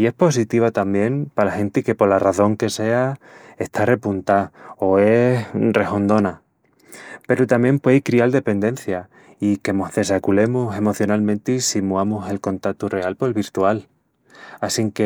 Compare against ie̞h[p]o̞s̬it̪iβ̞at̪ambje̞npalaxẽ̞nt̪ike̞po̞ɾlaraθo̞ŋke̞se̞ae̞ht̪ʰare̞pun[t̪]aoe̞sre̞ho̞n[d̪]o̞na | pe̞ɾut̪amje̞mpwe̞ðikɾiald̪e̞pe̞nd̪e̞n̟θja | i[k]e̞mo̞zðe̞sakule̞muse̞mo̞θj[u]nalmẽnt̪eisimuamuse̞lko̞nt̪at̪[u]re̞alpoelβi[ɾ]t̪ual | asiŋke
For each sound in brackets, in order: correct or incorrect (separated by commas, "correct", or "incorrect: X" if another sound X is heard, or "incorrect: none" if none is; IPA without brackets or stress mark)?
correct, correct, correct, correct, incorrect: o, correct, correct